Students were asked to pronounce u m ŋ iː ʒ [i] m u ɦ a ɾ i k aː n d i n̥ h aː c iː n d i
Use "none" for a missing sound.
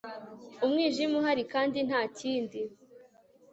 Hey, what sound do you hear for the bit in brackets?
i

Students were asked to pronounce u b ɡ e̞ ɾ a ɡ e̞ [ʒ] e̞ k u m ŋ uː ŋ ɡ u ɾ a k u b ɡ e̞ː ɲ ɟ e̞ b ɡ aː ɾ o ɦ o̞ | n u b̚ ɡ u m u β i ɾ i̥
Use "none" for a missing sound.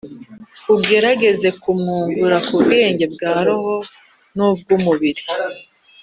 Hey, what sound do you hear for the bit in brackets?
z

